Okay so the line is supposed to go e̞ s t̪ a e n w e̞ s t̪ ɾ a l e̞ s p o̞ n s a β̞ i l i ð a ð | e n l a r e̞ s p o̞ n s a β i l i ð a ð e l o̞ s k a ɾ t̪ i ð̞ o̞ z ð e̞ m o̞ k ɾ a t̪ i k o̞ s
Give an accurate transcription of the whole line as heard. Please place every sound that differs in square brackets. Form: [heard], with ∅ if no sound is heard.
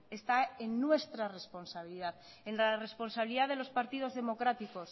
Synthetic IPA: e̞ s t̪ a e [nː] w e̞ s t̪ ɾ a [r] e̞ s p o̞ n s a β̞ i l i ð a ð | e n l a r e̞ s p o̞ n s a β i l i ð a ð e l o̞ s [p] a ɾ t̪ i ð̞ o̞ z ð e̞ m o̞ k ɾ a t̪ i k o̞ s